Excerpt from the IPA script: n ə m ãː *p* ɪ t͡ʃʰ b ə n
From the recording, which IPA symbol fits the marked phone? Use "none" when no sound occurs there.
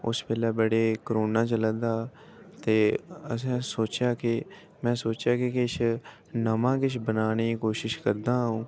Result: k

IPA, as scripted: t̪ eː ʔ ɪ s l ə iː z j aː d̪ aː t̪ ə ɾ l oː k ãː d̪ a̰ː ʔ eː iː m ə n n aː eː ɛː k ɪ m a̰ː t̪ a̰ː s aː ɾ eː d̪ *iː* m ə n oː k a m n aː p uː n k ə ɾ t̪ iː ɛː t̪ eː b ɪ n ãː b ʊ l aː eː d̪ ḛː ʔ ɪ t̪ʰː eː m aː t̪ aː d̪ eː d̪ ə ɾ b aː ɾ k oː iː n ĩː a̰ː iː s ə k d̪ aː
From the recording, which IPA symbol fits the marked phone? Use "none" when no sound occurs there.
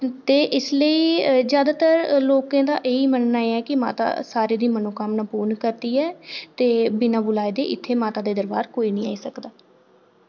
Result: iː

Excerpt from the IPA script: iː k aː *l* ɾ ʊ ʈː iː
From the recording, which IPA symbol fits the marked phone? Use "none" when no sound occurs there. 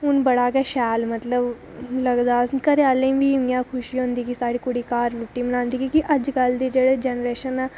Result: ɾ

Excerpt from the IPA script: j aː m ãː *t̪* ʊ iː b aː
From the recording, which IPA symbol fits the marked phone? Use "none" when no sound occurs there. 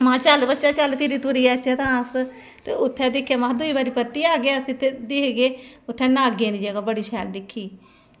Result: d̪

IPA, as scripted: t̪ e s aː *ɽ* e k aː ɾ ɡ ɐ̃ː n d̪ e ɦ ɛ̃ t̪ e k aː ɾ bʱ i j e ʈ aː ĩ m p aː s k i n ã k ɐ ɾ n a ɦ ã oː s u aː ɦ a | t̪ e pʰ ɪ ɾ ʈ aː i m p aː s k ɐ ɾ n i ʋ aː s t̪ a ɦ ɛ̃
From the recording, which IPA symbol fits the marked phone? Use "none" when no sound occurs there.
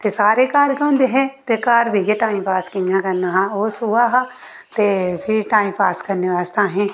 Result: ɾ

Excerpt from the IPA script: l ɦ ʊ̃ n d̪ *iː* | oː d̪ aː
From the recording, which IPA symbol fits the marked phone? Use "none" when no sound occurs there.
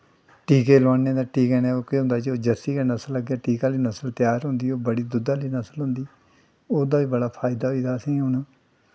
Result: iː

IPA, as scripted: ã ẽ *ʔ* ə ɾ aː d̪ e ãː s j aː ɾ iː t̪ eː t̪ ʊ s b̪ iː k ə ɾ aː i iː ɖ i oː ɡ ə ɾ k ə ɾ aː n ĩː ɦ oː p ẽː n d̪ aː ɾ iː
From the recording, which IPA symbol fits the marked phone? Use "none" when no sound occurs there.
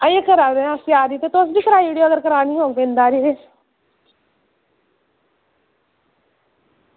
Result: k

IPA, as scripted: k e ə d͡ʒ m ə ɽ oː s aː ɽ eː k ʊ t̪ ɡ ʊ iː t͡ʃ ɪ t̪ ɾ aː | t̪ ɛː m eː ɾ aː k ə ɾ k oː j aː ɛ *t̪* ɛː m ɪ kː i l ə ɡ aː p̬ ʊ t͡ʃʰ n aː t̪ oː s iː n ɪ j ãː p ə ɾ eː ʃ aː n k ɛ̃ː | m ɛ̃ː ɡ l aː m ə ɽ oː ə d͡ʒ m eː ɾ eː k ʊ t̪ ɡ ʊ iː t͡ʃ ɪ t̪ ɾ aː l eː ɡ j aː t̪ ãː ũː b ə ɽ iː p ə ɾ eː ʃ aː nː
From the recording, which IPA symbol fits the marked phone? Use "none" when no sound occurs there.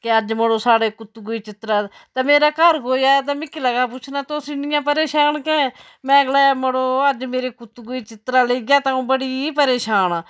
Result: t̪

